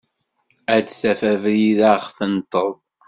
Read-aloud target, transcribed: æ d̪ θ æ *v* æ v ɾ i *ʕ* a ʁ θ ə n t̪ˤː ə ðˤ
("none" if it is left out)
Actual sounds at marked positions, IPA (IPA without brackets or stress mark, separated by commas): f, ð